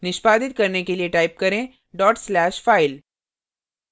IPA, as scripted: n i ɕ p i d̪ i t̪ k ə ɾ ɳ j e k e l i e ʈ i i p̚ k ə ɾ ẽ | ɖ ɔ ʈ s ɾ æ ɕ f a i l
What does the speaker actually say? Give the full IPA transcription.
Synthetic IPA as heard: n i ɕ p a d̪ i t̪ k ə ɾ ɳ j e k e l i e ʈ a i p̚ k ə ɾ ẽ | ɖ ɔ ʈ s l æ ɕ f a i l